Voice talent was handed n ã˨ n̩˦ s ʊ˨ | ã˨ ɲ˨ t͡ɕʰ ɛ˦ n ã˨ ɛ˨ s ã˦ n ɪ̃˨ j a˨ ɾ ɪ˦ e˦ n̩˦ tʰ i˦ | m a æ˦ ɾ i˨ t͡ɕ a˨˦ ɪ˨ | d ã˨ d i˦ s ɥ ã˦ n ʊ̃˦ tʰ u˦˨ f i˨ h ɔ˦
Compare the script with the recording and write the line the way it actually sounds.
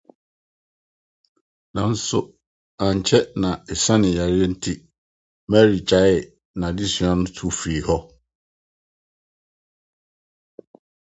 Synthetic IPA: n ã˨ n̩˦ s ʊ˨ | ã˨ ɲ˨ t͡ɕʰ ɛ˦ n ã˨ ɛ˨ s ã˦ n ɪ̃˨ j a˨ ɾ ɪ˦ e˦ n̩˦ tʰ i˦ | m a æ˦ ɾ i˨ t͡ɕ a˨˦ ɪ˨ | n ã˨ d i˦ s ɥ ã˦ n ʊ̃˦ tʰ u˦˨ f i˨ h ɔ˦